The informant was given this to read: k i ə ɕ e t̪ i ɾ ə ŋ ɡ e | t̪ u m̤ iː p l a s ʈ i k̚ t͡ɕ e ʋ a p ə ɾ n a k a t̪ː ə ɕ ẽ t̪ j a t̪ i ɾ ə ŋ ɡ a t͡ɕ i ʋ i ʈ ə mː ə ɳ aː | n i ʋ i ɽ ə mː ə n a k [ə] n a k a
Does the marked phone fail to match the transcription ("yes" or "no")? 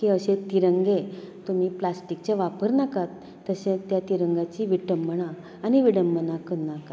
no